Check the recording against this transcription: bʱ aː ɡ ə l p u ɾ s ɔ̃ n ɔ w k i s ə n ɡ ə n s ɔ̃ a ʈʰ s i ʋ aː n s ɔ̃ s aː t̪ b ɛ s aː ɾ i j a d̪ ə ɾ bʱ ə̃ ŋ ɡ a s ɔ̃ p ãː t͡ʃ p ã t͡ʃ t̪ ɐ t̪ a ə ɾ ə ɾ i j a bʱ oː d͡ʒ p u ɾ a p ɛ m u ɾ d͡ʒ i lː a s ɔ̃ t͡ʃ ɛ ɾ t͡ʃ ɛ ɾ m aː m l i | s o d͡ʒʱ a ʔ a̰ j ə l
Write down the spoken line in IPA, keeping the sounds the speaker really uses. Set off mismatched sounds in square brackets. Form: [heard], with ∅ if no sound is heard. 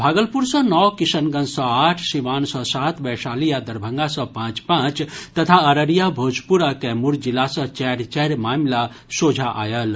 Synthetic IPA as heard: bʱ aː ɡ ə l p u ɾ s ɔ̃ n ɔ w k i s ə n ɡ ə n s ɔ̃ a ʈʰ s i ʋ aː n s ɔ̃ s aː t̪ b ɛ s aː [l] i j a d̪ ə ɾ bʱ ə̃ ŋ ɡ a s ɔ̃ p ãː t͡ʃ p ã t͡ʃ t̪ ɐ [t̪ʰ] a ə ɾ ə ɾ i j a bʱ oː d͡ʒ p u ɾ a [k] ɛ m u ɾ d͡ʒ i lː a s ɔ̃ t͡ʃ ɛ ɾ t͡ʃ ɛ ɾ m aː m l [a] | s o d͡ʒʱ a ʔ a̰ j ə l